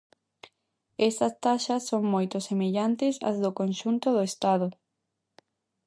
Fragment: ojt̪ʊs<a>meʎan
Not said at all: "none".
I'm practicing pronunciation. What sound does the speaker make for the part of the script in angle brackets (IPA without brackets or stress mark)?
e